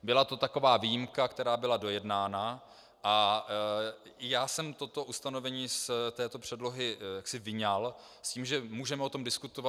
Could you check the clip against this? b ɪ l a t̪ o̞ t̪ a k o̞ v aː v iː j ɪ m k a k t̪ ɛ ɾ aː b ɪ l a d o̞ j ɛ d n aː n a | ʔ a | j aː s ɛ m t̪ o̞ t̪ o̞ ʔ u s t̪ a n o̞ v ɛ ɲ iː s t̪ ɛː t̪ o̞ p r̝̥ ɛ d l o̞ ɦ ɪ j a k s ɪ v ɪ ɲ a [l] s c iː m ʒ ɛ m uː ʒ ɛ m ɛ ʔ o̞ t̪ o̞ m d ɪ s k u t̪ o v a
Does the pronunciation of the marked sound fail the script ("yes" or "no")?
no